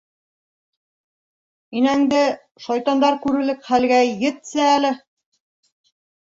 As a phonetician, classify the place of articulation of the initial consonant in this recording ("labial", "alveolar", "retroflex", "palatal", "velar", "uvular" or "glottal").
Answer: alveolar